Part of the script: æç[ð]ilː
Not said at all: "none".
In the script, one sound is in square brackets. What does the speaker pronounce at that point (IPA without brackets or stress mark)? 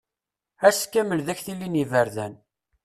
θ